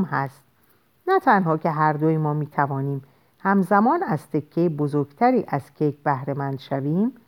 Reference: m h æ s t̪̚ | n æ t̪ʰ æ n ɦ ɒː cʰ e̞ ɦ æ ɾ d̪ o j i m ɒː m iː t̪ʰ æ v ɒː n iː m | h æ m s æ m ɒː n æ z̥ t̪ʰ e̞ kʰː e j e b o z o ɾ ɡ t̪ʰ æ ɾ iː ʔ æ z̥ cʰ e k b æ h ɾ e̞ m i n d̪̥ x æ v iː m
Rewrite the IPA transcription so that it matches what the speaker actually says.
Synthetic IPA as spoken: m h æ s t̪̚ | n æ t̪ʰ æ n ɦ ɒː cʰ e̞ ɦ æ ɾ d̪ o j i m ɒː m iː t̪ʰ æ v ɒː n iː m | h æ m z æ m ɒː n æ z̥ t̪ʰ e̞ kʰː e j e b o z o ɾ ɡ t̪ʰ æ ɾ iː ʔ æ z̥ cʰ e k b æ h ɾ e̞ m æ n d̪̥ ʃ æ v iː m